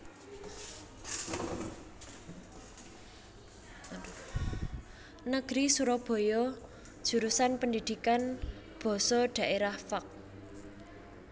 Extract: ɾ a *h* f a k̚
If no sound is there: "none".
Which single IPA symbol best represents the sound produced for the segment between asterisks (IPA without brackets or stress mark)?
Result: h